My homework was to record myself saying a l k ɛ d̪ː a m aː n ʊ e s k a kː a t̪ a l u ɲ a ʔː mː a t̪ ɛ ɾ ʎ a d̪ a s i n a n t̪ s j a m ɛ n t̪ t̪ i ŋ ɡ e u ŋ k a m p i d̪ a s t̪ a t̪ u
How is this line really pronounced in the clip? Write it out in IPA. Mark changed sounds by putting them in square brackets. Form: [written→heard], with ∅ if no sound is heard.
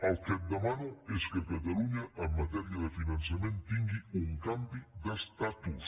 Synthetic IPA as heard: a l k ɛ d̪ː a m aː n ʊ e s k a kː a t̪ a l u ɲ a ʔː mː a t̪ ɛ ɾ [ʎ→j] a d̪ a [s→f] i n a n t̪ s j a m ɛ n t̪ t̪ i ŋ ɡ [e→i] u ŋ k a m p i d̪ a s t̪ a t̪ u